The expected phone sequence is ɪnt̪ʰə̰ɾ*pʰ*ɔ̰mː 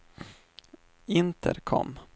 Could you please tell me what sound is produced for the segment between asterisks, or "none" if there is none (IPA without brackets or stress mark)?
kʰ